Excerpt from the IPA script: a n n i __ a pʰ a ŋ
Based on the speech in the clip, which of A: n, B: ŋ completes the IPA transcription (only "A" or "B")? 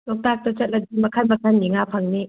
B